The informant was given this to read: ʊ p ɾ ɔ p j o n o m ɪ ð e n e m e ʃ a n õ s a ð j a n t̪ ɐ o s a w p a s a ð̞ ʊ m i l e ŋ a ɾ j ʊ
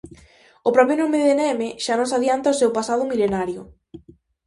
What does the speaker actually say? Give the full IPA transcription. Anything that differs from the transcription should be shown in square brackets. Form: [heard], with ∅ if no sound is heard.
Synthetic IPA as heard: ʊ p ɾ ɔ p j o n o m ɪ ð e n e m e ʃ a n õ s a ð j a n t̪ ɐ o s [e] w p a s a ð̞ ʊ m i l e [n] a ɾ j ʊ